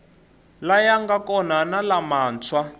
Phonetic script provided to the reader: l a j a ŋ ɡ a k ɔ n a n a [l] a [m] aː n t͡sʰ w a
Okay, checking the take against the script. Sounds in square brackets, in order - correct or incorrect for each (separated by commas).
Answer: correct, correct